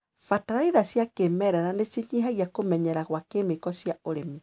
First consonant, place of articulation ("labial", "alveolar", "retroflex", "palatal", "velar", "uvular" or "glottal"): labial